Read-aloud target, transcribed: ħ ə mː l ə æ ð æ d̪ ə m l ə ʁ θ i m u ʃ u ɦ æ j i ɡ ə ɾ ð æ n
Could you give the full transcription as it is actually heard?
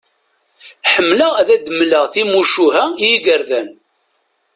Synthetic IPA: ħ ə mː l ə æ ð æ d̪ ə m l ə ʁ θ i m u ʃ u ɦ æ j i ɡ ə ɾ ð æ n